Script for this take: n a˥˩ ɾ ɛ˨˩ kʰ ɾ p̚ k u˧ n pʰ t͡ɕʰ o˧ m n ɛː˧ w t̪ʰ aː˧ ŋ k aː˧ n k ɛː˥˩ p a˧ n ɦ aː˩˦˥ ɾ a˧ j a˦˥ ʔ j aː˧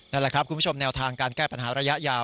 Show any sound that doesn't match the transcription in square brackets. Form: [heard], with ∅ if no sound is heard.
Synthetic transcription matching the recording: n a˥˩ [l] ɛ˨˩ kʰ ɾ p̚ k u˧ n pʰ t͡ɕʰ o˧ m n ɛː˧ w t̪ʰ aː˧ ŋ k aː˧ n k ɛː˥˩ p a˧ n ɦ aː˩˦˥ ɾ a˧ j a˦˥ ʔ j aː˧

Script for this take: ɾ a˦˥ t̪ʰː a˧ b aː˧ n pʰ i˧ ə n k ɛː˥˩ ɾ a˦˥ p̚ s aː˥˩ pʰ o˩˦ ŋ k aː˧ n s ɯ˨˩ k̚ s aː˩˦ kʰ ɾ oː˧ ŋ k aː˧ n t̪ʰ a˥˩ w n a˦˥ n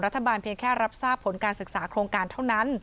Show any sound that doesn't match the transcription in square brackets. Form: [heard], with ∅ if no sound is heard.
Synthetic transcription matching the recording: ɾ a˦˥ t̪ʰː a˧ b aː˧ n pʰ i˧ ə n [kʰ] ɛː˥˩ ɾ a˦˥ p̚ s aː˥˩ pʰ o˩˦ [n] k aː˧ n s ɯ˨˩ k̚ s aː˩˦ kʰ ɾ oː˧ ŋ k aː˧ n t̪ʰ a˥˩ w n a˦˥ n

